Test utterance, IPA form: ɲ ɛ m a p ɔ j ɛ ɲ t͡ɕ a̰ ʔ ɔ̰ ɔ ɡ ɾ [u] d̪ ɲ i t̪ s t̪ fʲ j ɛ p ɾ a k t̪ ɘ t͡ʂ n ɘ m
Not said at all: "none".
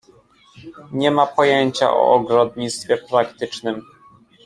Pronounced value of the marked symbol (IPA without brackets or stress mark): ɔ